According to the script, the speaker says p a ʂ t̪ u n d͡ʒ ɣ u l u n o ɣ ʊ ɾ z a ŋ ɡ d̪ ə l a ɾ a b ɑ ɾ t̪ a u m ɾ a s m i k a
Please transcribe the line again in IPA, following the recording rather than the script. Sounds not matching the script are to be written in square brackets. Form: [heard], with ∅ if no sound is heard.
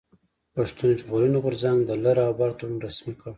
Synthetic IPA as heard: p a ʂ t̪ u n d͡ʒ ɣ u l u n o ɣ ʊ ɾ z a ŋ ɡ d̪ ə l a ɾ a b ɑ ɾ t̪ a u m ɾ a s m i k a